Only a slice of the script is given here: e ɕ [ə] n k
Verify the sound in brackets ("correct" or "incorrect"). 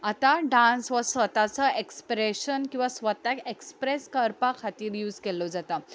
correct